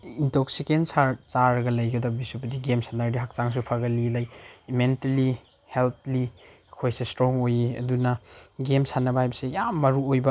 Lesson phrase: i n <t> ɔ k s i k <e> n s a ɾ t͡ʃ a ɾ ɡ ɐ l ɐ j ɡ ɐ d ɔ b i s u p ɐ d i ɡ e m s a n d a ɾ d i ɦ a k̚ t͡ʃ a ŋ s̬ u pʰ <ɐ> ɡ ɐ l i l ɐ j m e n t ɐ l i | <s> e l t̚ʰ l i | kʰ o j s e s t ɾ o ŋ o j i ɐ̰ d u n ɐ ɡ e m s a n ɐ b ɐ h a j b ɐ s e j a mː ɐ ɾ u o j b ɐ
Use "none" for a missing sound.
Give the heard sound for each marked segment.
t, e, a, h

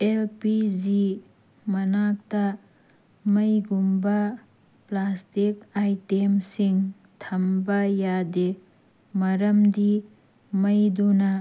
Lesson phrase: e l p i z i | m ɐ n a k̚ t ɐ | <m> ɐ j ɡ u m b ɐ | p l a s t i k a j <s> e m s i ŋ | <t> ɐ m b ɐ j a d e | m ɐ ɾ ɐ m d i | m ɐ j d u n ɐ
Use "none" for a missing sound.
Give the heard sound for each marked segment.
m, t, tʰ

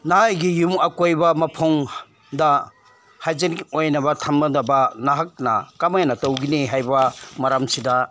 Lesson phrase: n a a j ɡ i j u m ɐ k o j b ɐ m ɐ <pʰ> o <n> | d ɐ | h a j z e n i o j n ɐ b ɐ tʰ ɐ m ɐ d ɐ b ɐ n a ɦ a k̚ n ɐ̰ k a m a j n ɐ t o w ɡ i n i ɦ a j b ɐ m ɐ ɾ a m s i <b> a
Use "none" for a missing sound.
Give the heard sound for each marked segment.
pʰ, ŋ, d

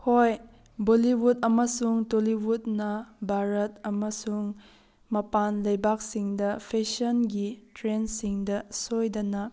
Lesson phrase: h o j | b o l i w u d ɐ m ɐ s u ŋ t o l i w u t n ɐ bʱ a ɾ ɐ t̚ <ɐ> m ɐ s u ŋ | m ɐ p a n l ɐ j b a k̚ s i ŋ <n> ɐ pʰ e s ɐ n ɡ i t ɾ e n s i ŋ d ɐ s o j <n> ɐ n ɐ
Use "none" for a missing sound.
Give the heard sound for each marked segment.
ɐ, d, d

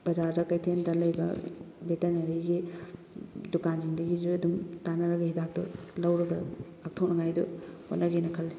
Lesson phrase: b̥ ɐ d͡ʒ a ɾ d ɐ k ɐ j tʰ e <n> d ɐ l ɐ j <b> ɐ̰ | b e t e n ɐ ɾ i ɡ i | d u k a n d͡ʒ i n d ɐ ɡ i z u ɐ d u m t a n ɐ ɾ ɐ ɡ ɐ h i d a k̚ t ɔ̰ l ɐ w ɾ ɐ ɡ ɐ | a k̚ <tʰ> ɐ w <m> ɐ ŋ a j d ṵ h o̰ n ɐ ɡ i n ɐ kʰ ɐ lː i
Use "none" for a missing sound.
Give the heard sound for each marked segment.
n, b, tʰ, n

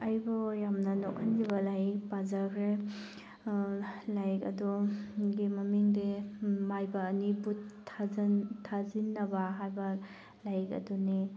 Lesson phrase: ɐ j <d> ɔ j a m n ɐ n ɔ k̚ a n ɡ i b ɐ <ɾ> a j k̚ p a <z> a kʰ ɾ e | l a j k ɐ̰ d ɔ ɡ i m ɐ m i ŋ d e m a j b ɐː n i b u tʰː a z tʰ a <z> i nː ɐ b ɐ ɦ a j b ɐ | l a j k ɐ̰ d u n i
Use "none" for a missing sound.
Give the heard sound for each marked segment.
b, l, z, z

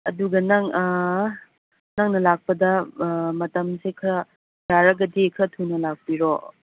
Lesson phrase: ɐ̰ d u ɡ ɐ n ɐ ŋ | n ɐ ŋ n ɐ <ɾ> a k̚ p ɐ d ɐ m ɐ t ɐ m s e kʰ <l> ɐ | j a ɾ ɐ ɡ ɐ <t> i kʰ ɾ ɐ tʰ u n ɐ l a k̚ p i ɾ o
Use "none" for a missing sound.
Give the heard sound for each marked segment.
l, ɾ, d

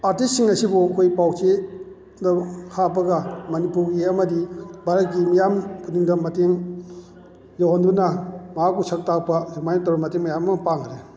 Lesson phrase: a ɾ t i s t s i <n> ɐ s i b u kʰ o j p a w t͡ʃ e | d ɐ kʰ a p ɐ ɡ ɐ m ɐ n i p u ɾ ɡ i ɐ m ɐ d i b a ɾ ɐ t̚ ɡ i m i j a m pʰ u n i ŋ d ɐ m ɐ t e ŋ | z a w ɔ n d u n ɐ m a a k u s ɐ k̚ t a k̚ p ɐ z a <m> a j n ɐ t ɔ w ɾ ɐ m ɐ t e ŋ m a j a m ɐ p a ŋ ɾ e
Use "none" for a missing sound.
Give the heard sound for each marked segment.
ŋ, m

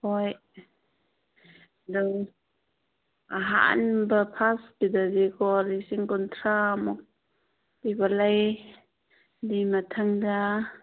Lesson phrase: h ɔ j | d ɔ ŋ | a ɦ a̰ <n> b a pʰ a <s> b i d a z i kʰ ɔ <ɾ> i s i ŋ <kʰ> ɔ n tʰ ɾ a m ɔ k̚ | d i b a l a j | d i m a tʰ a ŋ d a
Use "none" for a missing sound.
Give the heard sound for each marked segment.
n, s, l, k

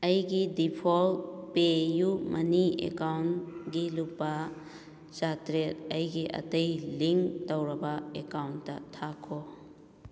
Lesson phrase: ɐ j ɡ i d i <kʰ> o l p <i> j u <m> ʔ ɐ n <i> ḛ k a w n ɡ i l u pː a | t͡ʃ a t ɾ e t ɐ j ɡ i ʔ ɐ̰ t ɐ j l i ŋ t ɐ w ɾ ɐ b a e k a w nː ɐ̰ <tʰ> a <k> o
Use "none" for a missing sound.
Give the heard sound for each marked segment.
pʰ, e, m, i, tʰ, kʰ

